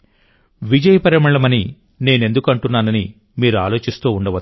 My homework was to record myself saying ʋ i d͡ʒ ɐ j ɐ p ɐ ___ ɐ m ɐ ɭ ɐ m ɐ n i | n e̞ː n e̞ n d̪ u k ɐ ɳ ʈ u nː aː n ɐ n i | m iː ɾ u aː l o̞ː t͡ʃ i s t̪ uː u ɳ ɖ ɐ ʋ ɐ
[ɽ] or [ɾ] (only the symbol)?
ɾ